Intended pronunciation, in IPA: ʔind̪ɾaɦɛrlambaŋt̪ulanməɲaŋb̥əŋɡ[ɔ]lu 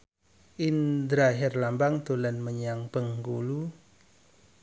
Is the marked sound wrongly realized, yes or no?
yes